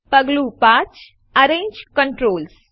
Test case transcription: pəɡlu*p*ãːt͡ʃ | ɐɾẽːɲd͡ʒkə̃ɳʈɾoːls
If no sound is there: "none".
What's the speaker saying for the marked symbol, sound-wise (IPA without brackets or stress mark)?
p